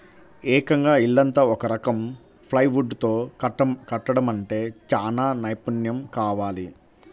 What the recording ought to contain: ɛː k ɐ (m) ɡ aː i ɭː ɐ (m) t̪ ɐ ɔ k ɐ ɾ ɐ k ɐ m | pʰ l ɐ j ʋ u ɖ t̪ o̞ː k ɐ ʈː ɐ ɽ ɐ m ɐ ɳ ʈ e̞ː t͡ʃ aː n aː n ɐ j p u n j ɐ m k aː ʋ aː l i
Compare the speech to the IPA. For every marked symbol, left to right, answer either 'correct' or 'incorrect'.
incorrect: ŋ, incorrect: n

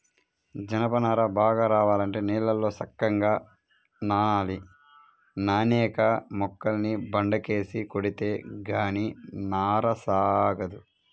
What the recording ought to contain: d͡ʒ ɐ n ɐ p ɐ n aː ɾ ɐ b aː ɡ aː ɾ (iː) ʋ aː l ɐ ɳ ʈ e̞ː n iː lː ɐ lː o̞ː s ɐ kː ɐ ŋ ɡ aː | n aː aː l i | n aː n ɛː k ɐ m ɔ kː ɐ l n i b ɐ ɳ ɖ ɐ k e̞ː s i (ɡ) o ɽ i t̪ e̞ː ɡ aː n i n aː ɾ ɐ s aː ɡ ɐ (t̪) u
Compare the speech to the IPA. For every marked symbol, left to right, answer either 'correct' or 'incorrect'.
incorrect: aː, incorrect: k, incorrect: d̪

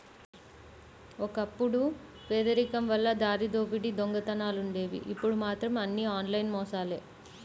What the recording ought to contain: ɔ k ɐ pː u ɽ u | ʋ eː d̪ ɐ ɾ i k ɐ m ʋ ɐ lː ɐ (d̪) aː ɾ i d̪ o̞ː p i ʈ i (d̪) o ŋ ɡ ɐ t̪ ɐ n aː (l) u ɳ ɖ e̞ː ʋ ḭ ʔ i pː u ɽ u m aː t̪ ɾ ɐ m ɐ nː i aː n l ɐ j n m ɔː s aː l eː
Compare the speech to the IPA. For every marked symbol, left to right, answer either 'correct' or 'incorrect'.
correct, correct, correct

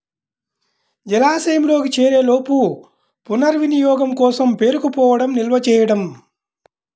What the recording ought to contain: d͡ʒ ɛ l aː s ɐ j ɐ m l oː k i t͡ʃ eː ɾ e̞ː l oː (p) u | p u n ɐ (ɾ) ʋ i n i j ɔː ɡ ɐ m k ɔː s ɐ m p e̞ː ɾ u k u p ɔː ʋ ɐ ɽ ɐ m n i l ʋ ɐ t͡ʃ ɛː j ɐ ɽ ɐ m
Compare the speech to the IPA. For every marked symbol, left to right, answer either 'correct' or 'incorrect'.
correct, correct

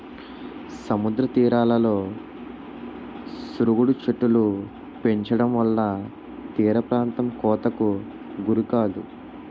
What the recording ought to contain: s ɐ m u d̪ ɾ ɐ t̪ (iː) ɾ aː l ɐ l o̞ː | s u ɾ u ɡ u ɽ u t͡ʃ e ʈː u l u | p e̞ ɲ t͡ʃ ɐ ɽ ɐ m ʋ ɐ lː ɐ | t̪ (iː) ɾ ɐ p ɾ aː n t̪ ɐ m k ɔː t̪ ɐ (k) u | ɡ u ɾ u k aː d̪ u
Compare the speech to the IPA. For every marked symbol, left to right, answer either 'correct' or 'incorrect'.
correct, correct, correct

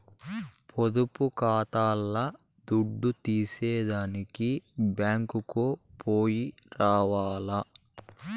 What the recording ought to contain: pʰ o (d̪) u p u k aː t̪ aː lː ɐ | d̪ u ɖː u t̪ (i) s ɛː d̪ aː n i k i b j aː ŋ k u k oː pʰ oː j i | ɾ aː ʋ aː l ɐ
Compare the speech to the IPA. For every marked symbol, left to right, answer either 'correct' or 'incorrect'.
correct, incorrect: iː

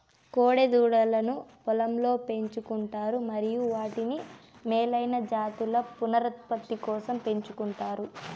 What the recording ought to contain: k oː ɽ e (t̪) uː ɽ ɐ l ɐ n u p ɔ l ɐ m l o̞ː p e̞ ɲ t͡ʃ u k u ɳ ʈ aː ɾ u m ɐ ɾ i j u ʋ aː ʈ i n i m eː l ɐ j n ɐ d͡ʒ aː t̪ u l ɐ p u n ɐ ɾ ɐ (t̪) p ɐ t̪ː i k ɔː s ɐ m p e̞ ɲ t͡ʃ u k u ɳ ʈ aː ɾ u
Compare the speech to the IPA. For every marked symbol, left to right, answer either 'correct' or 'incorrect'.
incorrect: d̪, correct

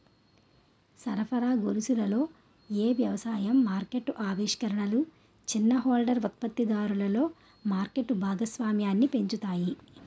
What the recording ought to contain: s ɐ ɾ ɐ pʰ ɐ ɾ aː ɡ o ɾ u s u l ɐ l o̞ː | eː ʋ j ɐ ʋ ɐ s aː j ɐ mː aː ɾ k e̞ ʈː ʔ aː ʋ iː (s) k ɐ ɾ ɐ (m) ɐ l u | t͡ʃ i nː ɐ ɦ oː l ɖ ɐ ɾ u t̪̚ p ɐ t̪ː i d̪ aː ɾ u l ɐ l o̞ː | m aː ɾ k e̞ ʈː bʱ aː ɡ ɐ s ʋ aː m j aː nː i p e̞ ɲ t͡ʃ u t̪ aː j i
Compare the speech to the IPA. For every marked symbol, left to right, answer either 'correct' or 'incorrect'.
incorrect: ʂ, incorrect: ɳ

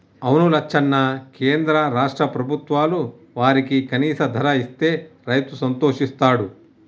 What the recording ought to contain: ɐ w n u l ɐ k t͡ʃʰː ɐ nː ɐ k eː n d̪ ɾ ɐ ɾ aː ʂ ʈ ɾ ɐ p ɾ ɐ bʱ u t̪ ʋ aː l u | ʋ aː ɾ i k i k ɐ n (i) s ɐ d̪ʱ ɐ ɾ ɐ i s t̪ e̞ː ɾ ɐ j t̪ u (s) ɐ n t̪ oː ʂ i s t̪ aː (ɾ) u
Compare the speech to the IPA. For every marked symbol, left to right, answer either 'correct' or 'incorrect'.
incorrect: iː, correct, incorrect: ɽ

